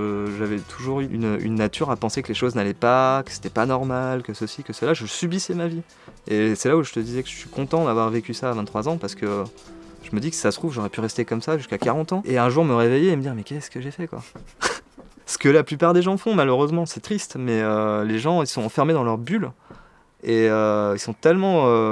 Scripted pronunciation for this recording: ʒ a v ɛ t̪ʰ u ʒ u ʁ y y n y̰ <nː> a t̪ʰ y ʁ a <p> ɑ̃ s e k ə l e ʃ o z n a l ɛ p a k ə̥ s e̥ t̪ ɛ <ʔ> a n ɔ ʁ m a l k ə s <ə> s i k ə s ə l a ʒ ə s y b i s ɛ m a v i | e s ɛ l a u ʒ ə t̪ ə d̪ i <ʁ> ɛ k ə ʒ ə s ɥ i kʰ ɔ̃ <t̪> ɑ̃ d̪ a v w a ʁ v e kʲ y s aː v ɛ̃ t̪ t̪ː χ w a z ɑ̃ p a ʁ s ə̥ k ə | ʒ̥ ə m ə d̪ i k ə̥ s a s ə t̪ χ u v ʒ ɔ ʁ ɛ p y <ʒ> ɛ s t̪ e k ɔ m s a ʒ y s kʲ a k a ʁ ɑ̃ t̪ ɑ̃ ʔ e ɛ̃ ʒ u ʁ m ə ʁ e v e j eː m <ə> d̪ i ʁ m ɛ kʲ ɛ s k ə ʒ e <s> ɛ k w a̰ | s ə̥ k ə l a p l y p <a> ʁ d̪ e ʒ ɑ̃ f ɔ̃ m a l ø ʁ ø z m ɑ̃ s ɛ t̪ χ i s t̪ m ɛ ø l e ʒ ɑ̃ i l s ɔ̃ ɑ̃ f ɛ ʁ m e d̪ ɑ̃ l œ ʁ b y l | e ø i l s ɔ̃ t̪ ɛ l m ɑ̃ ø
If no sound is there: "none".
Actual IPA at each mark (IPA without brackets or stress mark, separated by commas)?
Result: nː, p, p, ə, z, t̪, ʁ, ə, f, a